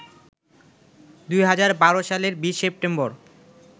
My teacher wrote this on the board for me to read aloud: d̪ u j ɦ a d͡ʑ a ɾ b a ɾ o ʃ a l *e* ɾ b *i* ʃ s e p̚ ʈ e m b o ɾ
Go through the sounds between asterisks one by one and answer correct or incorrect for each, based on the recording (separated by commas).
correct, correct